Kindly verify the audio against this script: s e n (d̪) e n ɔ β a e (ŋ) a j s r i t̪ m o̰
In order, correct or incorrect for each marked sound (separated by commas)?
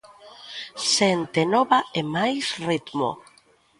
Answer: incorrect, incorrect